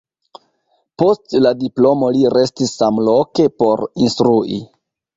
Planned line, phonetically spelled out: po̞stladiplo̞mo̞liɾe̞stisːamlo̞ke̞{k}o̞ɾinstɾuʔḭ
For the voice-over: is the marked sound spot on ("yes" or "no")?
no